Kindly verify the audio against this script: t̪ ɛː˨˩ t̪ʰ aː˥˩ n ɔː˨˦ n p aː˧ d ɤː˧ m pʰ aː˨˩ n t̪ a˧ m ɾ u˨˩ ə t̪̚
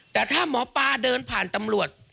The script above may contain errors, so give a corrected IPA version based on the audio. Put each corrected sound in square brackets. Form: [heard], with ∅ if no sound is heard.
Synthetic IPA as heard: t̪ ɛː˨˩ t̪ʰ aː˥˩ [m] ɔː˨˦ [∅] p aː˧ d ɤː˧ [n] pʰ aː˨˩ n t̪ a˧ m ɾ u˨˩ ə t̪̚